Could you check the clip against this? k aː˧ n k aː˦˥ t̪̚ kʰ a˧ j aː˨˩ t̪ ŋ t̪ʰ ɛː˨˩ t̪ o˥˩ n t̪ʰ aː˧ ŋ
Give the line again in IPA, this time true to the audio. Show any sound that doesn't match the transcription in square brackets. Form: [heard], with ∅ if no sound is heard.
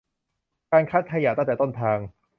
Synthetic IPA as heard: k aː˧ n [kʰ] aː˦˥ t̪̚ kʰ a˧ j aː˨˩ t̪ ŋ [t̪] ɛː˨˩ t̪ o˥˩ n t̪ʰ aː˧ ŋ